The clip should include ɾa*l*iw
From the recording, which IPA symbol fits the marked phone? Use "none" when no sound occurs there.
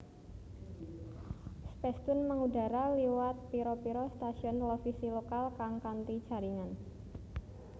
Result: l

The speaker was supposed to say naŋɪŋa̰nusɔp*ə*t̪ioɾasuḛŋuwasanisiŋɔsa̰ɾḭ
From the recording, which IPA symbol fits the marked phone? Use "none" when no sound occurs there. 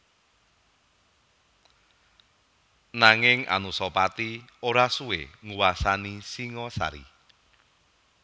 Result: a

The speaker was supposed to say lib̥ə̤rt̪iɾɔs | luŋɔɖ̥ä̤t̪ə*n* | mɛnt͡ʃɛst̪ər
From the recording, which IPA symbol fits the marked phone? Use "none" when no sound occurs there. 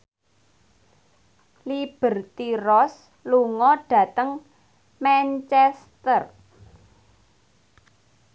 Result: ŋ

